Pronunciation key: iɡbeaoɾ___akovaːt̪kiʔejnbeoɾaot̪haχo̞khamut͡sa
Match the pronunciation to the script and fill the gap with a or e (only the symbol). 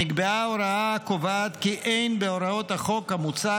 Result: a